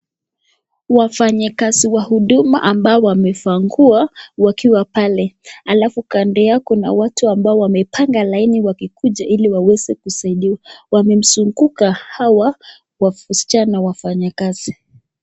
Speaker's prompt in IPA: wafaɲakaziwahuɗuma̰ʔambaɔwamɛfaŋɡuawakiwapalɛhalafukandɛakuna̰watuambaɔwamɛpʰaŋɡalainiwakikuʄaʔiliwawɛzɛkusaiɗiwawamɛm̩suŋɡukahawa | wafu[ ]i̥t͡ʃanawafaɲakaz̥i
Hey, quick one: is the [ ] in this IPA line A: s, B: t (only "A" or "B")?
A